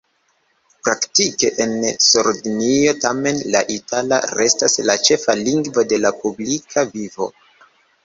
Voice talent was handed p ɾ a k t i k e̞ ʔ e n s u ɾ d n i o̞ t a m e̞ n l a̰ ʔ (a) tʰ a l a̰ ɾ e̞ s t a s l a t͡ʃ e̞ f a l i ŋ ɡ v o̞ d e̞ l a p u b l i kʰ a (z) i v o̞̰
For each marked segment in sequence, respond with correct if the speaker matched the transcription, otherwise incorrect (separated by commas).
incorrect, incorrect